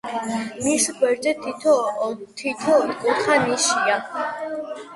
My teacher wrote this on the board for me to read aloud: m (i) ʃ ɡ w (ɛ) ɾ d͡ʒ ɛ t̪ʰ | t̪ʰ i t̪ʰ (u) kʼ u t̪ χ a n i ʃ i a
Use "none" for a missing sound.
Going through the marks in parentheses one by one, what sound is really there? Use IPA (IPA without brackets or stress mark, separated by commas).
i, ɛ, ɔ